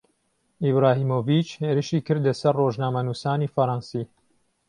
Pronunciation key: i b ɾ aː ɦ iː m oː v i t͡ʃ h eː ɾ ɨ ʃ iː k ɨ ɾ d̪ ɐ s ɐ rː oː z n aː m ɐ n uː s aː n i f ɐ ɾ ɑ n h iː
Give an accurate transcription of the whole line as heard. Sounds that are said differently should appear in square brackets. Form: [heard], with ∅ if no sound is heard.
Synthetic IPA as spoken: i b ɾ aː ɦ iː m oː v i t͡ʃ h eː ɾ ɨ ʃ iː k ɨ ɾ d̪ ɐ s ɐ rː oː [ʒ] n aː m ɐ n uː s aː n i f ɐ ɾ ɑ n [s] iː